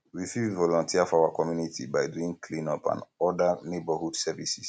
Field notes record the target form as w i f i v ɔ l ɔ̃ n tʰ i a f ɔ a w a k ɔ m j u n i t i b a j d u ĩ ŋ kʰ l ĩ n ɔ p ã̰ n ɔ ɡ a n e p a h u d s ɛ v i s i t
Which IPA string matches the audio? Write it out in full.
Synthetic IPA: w i f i v ɔ l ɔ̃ n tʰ i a f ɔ a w a k ɔ m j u n i t i b a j d u ĩ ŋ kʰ l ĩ n ɔ p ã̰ n ɔ d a n e b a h u d s ɛ v i s i s